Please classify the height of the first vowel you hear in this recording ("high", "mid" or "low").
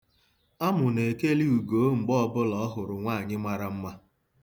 low